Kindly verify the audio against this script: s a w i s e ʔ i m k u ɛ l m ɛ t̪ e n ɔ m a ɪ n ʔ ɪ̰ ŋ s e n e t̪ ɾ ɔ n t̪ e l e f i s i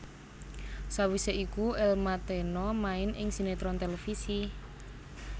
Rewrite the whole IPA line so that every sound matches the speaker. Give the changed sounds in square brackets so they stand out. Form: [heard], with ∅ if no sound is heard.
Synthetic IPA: s a w i s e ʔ i [∅] k u ɛ l m [a] t̪ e n ɔ m a ɪ n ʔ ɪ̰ ŋ s [i] n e t̪ ɾ ɔ n t̪ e l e f i s i